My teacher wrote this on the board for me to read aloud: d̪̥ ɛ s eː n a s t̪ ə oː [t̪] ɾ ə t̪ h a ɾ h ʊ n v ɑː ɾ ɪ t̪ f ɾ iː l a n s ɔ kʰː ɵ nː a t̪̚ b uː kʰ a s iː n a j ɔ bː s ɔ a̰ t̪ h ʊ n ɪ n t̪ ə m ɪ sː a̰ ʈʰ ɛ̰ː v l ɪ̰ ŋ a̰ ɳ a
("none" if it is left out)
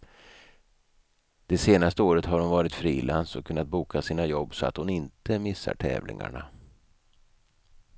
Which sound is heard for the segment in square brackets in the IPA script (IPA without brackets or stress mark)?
none